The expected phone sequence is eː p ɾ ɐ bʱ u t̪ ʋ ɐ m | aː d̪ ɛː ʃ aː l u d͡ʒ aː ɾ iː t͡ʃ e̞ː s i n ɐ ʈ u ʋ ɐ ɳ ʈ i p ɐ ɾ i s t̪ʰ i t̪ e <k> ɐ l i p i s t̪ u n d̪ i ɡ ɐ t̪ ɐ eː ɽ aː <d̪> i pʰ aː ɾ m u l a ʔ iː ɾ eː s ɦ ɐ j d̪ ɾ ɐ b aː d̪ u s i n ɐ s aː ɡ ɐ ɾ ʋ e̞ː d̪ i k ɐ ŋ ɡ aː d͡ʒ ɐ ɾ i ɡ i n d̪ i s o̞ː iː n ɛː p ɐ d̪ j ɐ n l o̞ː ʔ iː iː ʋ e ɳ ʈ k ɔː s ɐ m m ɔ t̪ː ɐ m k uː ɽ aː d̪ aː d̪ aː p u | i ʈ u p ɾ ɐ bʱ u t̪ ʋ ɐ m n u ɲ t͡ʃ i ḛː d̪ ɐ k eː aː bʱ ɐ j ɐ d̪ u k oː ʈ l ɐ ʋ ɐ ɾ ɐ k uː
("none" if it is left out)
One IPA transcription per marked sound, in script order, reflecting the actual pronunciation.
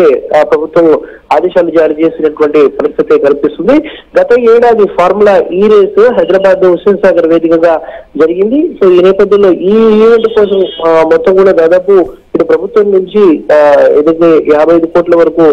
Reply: k, d̪

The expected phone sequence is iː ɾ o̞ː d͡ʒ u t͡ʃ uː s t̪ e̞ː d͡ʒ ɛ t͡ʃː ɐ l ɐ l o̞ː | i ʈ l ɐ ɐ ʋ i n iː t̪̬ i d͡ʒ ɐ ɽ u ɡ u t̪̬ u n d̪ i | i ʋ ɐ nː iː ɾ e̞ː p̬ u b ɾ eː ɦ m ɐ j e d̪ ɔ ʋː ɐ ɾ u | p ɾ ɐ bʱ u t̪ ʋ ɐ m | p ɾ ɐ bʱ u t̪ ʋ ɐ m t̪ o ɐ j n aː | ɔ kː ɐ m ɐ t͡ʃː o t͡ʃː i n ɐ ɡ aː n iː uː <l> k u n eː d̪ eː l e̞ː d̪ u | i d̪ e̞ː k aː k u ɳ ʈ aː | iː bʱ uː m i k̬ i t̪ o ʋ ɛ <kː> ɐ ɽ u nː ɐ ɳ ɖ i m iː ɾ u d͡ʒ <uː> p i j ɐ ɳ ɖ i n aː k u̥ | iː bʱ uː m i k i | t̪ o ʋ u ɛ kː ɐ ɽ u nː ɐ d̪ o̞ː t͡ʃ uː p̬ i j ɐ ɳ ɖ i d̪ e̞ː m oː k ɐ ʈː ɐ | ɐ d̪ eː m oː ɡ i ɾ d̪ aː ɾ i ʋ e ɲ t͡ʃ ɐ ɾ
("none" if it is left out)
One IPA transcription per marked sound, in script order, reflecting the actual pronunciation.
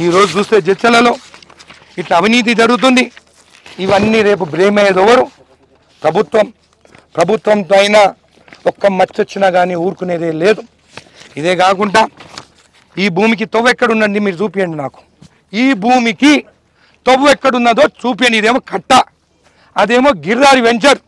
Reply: ɾ, kː, uː

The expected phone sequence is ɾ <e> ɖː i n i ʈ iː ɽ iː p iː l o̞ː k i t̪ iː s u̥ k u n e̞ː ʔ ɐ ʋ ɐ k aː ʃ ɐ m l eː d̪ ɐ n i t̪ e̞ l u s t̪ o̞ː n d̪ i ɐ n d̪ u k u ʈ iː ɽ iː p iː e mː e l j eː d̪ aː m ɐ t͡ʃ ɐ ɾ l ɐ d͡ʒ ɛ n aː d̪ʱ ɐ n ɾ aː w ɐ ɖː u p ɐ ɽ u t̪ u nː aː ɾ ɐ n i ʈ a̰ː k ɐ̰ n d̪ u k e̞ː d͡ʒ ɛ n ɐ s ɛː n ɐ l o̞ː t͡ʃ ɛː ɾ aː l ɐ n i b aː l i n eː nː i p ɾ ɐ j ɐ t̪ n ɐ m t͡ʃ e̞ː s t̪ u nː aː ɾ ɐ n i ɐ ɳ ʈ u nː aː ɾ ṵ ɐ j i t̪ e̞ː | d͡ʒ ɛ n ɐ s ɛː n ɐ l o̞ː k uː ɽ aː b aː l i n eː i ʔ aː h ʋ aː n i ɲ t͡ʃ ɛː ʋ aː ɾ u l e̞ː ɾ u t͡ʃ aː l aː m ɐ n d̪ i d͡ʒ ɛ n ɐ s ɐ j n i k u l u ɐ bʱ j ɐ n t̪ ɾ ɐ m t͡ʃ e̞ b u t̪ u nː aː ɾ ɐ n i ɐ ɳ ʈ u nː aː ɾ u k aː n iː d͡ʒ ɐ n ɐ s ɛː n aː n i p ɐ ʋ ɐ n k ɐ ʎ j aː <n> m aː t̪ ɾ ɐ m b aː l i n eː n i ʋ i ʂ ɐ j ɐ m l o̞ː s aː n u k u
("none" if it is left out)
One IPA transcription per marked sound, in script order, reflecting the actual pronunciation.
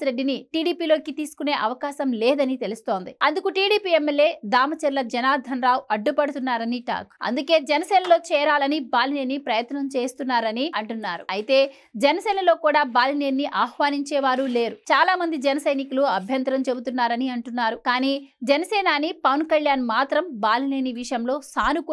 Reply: e, n

